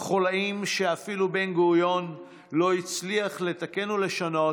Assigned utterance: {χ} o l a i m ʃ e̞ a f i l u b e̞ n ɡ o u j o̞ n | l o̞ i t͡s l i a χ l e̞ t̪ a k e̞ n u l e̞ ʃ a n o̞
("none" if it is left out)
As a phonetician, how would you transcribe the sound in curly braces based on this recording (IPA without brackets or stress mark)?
χ